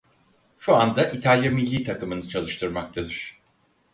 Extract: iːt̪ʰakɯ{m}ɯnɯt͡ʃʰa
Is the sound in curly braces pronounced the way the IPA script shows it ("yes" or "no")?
yes